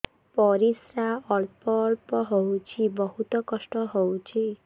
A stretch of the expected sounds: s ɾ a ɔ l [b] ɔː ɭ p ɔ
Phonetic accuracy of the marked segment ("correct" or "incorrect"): incorrect